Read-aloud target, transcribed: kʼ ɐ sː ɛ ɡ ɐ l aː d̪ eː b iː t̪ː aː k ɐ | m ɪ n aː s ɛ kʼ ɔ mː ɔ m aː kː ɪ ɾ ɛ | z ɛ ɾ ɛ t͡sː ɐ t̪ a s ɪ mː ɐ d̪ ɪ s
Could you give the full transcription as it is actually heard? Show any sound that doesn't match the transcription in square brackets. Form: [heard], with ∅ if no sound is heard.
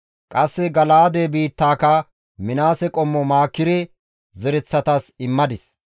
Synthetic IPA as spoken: kʼ ɐ sː ɛ ɡ ɐ l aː d̪ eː b iː t̪ː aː k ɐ | m ɪ n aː s ɛ kʼ ɔ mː ɔ m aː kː ɪ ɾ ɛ | z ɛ ɾ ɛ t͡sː ɐ t̪ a s ɪ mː ɐ d̪ ɪ s